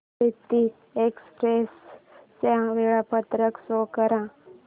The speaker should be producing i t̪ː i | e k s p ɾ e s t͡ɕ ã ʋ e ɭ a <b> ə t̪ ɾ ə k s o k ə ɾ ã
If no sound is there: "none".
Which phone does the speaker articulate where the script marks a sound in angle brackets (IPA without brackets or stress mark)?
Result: p